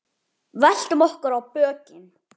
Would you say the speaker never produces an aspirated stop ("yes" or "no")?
yes